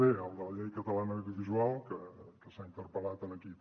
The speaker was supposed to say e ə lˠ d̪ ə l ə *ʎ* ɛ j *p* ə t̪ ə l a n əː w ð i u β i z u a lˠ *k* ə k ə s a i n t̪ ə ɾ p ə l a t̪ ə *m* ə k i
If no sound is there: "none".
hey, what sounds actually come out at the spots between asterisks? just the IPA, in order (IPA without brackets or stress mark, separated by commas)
ʎ, k, k, n